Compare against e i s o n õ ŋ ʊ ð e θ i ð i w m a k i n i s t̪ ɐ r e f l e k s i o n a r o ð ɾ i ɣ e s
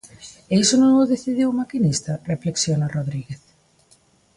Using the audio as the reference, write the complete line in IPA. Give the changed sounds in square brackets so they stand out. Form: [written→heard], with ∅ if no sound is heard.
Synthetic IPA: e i s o n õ ŋ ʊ ð e θ i ð i w m a k i n i s t̪ ɐ r e f l e k s [i→j] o n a r o ð ɾ i ɣ e [s→θ]